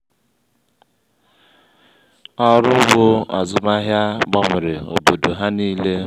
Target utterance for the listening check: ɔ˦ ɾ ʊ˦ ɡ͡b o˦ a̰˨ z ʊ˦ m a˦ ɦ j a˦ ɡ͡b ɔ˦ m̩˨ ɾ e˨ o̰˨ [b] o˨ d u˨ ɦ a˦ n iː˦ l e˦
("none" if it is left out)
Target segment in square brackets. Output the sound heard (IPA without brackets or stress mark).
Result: b